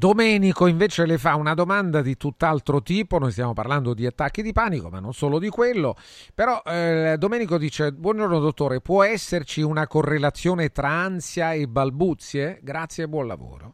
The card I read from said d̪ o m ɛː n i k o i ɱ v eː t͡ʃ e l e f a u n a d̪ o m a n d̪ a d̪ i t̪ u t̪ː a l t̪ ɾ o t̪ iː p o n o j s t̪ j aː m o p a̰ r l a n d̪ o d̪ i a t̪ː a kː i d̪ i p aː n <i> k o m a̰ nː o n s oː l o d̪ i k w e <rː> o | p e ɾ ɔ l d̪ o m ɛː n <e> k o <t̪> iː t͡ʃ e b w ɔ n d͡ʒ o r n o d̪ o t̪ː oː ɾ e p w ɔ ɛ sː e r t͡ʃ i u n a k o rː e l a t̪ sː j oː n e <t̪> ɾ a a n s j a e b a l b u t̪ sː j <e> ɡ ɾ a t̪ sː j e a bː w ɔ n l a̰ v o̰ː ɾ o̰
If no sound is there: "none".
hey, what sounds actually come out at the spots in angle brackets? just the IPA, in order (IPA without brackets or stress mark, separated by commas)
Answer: i, lː, i, d̪, t̪, e